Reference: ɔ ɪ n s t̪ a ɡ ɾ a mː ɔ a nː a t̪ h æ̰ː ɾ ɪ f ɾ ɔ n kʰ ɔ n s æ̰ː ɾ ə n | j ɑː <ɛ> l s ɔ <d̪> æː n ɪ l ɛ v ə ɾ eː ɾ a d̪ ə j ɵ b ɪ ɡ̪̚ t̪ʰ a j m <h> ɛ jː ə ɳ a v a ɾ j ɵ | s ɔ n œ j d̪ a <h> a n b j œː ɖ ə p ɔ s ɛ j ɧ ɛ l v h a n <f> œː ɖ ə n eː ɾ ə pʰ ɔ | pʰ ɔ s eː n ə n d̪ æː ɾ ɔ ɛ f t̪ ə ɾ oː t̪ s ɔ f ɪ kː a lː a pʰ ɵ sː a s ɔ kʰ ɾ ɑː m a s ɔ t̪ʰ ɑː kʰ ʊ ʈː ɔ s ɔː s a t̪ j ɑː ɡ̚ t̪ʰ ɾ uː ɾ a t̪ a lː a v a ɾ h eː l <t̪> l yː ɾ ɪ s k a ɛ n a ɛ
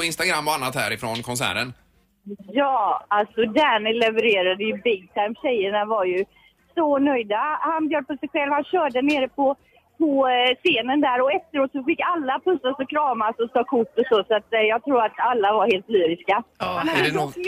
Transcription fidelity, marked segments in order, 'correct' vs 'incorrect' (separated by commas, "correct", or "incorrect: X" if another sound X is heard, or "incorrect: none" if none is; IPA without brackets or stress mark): incorrect: a, correct, incorrect: ɕ, correct, incorrect: ɕ, correct